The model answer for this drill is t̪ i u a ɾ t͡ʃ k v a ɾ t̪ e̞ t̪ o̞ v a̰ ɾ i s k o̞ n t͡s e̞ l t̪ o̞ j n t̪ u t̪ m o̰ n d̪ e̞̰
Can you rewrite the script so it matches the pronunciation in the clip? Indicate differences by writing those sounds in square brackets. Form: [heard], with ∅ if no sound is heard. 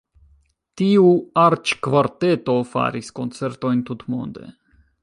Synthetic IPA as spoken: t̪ i u a ɾ t͡ʃ k v a ɾ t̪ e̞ t̪ o̞ [f] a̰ ɾ i s k o̞ n t͡s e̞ [ɾ] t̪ o̞ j n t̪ u t̪ m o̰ n d̪ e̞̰